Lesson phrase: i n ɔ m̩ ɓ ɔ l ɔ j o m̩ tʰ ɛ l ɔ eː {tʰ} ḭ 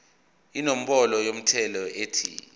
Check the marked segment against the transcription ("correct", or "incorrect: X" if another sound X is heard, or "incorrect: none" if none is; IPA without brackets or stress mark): correct